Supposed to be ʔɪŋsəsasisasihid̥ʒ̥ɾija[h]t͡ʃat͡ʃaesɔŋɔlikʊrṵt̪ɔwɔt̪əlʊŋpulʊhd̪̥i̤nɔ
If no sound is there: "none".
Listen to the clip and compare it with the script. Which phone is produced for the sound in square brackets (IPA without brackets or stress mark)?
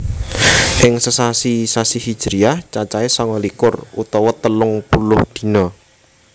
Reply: h